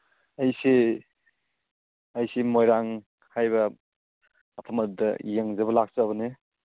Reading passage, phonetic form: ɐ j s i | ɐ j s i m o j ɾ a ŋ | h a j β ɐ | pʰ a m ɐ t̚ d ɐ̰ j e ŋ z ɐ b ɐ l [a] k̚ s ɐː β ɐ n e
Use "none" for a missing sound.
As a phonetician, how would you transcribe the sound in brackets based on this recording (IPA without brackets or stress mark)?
a